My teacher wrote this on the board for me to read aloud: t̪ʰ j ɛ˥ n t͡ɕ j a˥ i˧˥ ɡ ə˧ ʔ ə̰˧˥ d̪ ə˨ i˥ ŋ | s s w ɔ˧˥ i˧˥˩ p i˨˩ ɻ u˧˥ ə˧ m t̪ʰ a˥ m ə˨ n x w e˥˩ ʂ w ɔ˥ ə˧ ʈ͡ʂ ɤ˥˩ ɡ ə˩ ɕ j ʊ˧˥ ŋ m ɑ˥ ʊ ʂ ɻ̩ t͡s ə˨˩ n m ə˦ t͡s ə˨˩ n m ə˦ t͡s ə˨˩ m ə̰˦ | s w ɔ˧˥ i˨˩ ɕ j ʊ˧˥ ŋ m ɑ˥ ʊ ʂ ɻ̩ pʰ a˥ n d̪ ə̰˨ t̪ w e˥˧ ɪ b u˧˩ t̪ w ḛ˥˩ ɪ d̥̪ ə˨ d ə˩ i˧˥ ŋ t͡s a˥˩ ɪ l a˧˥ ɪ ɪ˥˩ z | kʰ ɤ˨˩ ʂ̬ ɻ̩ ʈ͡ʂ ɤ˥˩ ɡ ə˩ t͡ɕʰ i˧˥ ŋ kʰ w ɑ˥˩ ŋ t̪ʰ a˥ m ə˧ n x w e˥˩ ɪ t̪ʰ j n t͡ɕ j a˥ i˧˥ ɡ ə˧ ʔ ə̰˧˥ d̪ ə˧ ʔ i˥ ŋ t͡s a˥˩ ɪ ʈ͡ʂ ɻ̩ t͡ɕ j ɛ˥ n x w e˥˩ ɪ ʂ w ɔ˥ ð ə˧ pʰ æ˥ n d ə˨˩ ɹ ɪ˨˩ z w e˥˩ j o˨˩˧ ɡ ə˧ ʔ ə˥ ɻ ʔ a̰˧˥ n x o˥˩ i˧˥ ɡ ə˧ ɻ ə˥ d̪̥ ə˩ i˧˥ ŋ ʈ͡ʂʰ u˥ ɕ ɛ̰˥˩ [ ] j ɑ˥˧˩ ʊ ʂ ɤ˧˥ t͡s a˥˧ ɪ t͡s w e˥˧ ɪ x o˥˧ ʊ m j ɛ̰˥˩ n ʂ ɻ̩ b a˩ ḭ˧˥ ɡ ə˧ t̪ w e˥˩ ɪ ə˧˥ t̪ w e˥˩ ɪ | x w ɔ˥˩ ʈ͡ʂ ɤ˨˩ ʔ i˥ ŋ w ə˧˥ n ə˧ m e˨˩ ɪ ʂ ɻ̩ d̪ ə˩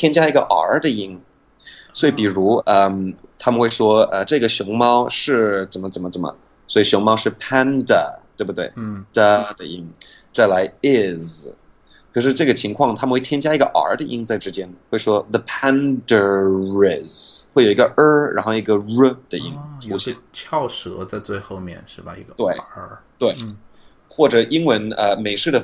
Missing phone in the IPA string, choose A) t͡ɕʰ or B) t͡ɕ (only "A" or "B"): A